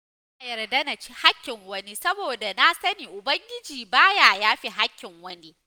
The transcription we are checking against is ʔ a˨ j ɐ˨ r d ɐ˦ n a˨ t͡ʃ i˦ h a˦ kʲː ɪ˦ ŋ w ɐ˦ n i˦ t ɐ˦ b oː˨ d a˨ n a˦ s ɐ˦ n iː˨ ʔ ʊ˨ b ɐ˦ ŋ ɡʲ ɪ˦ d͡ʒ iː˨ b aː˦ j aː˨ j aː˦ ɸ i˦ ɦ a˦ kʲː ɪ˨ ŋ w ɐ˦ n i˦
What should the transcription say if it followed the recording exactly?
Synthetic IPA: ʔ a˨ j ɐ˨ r d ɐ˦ n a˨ t͡ʃ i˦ h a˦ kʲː ɪ˨ ŋ w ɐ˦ n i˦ s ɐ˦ b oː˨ d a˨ n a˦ s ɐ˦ n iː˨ ʔ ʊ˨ b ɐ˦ ŋ ɡʲ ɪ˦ d͡ʒ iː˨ b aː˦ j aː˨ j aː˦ ɸ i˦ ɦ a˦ kʲː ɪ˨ ŋ w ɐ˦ n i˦